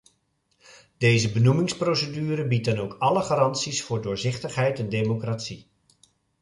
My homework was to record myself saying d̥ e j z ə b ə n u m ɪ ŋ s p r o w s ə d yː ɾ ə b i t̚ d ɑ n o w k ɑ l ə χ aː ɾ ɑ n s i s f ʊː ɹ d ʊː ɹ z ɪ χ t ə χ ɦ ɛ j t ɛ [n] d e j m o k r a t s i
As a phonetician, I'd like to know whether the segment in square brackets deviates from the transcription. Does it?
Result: no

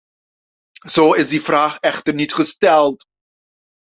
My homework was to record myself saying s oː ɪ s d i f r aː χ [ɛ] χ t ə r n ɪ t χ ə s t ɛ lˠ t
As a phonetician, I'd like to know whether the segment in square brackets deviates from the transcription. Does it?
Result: no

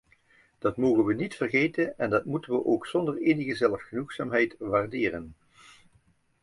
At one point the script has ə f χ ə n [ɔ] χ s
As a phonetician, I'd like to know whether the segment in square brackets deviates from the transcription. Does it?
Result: yes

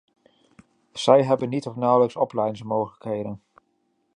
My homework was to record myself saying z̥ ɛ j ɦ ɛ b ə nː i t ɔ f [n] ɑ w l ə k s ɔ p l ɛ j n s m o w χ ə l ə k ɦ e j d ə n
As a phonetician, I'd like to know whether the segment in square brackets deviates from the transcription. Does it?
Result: no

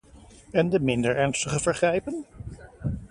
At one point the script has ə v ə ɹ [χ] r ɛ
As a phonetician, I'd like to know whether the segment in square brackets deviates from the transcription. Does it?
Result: no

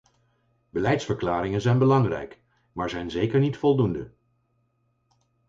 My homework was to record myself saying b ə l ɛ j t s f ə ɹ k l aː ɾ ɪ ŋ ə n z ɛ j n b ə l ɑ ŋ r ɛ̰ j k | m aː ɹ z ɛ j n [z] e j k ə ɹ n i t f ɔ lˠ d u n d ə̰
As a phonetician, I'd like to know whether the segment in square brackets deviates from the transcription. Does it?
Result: no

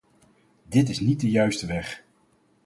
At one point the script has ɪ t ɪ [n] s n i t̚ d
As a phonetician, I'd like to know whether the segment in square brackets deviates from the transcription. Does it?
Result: yes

